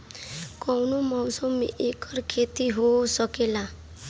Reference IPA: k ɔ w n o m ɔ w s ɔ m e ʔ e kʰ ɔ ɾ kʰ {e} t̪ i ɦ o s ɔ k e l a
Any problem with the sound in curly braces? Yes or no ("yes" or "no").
no